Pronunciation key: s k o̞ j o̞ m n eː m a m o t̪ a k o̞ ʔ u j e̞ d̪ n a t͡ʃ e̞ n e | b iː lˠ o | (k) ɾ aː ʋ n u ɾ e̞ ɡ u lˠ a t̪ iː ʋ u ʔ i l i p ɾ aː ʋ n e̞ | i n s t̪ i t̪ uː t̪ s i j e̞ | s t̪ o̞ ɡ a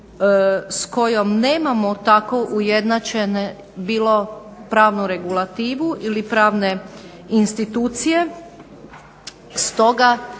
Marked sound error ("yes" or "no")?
yes